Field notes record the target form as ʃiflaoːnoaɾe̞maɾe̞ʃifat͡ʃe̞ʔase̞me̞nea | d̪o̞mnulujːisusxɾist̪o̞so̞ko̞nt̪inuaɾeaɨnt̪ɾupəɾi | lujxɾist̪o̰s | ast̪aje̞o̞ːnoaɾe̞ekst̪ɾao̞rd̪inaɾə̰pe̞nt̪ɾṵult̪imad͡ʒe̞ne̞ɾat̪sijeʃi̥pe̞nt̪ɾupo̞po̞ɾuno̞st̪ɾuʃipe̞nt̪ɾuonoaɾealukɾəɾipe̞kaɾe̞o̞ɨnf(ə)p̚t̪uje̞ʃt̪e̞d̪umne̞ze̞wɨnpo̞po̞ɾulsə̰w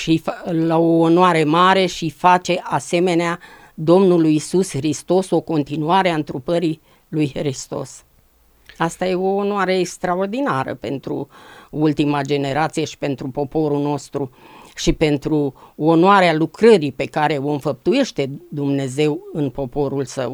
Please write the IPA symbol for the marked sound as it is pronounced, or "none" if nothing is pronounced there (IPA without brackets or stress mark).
ə